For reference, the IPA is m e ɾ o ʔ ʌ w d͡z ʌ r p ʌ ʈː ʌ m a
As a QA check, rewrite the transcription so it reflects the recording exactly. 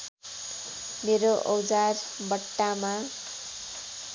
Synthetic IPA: m e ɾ o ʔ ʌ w d͡z a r b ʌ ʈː a m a